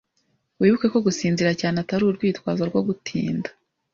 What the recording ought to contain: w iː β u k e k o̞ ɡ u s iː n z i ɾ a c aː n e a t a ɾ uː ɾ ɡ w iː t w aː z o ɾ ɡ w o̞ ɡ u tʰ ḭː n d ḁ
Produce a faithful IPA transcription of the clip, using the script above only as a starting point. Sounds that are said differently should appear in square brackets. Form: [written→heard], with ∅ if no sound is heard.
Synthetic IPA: w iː β u k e k o̞ ɡ u s iː n z i ɾ a c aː n e a t a ɾ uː ɾ ɡ w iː t w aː z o ɾ ɡ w o̞ ɡ u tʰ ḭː n d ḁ